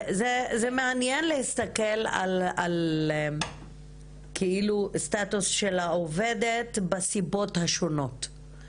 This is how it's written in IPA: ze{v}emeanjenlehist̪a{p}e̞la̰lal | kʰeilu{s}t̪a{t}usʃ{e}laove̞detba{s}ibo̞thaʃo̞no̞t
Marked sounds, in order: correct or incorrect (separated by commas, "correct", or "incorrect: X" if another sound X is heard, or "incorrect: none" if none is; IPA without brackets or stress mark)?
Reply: incorrect: z, incorrect: k, correct, correct, correct, correct